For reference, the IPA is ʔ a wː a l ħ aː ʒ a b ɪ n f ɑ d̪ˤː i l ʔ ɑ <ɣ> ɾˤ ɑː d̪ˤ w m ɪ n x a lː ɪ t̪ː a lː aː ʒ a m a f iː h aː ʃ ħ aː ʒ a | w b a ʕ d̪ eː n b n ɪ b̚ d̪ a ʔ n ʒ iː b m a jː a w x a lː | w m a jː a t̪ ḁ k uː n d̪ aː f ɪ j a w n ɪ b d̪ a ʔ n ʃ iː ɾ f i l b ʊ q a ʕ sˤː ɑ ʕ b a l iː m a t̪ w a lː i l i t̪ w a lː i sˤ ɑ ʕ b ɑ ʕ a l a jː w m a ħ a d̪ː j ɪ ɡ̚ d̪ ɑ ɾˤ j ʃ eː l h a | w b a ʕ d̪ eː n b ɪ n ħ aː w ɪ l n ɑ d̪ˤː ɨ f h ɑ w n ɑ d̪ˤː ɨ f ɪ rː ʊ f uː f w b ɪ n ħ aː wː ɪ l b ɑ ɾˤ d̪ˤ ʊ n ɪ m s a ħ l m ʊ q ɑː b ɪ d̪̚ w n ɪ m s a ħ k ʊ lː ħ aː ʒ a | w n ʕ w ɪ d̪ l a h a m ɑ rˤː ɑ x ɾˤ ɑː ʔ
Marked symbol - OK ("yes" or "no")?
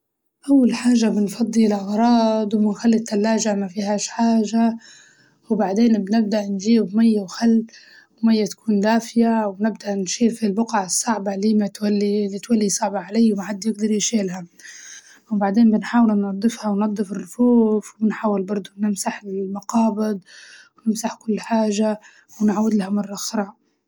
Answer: yes